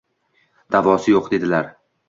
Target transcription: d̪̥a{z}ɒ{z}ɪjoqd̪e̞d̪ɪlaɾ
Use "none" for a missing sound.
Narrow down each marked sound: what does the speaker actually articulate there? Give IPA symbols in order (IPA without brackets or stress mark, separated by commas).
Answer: v, s